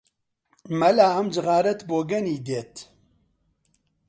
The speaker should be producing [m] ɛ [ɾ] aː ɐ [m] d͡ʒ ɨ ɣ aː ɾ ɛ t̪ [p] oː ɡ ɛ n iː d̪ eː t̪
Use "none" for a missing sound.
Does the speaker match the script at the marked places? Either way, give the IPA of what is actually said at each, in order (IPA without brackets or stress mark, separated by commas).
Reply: m, l, m, b